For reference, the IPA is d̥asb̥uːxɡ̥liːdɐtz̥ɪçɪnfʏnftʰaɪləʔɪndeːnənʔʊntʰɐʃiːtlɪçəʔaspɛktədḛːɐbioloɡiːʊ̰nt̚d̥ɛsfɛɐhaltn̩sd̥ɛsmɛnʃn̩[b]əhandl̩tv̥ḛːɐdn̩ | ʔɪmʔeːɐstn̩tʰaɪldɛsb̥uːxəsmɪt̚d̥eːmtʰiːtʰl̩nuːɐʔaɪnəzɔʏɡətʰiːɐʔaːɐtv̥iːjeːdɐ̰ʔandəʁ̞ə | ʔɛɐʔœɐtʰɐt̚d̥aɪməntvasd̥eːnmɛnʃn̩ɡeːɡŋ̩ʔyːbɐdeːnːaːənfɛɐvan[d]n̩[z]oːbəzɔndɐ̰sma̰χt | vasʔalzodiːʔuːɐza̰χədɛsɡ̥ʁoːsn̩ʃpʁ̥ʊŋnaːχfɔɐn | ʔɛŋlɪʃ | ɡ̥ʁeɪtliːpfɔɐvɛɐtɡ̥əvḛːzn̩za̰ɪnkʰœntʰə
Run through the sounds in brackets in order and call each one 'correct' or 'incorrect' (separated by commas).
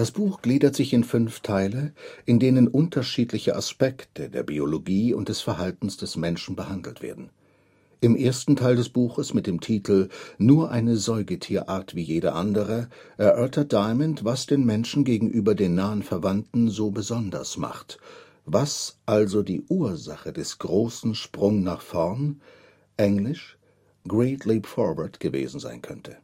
correct, incorrect, correct